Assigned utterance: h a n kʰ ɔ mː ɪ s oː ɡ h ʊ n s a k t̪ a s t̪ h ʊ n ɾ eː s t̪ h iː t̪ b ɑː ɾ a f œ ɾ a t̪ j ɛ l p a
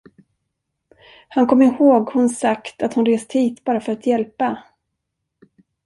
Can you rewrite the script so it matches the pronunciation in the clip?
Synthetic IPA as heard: h a n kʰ ɔ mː ɪ h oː ɡ h ʊ n s a k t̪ a t̪ h ʊ n ɾ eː s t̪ h iː t̪ b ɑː ɾ a f œ ɾ a t̪ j ɛ l p a